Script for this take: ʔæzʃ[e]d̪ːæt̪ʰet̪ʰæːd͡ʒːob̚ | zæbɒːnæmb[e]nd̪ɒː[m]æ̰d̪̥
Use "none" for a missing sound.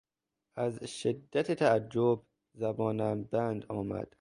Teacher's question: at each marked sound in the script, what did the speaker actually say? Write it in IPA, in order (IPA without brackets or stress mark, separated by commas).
e, æ, m